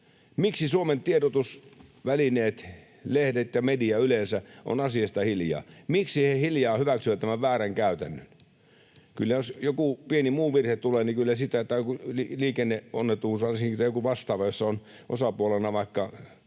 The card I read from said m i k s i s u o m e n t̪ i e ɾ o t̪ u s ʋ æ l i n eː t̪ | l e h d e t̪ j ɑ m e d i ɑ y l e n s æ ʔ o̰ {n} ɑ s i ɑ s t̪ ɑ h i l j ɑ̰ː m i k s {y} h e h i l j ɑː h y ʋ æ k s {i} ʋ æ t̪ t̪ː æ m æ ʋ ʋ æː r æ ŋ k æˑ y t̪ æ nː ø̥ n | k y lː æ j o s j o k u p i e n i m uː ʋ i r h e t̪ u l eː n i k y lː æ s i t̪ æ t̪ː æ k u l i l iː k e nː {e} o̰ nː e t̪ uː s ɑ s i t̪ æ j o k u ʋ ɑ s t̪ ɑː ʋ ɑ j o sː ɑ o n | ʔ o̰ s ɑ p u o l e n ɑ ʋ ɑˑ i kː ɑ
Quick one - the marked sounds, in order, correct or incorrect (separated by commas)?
correct, incorrect, incorrect, correct